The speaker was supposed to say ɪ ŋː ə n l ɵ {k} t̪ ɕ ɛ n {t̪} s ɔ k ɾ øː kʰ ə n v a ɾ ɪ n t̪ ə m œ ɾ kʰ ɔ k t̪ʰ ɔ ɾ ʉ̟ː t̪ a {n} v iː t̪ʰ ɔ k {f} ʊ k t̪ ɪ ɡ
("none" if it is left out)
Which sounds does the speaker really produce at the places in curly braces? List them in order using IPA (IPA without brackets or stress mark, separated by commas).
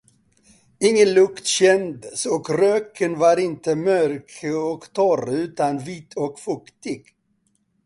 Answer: k, d̪, n, f